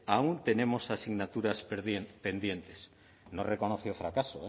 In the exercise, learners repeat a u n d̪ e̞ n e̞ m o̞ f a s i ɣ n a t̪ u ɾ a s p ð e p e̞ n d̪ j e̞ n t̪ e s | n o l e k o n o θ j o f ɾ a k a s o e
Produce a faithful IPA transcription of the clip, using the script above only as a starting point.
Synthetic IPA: a u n t̪ e̞ n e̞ m o̞ s a s i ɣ n a t̪ u ɾ a s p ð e p e̞ n d̪ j e̞ n t̪ e s | n o r e k o n o θ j o f ɾ a k a s o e